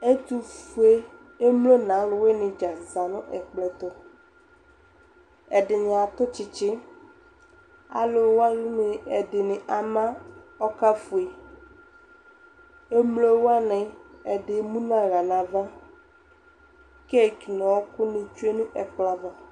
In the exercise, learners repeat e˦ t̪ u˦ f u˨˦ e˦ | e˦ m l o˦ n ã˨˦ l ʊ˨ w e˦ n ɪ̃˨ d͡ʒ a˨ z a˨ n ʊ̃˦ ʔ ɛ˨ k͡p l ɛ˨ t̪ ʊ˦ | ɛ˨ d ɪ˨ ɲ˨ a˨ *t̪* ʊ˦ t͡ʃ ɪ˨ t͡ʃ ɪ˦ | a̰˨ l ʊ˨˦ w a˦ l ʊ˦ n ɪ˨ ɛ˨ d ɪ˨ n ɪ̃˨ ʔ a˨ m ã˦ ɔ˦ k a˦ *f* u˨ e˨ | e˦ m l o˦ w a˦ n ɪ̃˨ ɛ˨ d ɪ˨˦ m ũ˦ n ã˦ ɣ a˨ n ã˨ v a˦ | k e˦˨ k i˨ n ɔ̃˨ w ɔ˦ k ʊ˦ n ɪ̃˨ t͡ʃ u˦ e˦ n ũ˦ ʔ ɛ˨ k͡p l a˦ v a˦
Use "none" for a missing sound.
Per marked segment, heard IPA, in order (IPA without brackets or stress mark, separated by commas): t̪, f